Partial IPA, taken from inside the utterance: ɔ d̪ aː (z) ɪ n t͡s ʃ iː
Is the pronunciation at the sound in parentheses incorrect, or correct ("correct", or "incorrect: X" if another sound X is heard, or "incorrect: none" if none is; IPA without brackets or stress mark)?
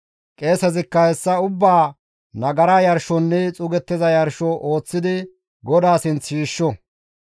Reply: incorrect: s